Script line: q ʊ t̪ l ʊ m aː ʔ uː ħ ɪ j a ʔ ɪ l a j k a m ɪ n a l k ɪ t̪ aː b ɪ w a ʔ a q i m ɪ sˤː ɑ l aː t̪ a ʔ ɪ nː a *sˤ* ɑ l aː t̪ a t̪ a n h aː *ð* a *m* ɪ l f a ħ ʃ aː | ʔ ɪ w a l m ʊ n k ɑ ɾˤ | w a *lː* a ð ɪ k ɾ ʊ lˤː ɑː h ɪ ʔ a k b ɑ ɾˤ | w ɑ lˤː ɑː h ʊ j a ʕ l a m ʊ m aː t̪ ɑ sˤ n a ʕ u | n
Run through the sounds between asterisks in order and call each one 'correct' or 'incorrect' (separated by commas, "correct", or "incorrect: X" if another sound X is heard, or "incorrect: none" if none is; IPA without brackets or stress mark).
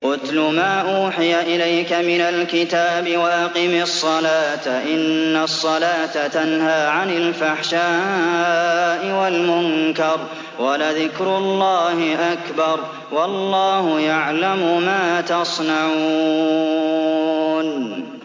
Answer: incorrect: sˤː, incorrect: ʕ, incorrect: n, incorrect: l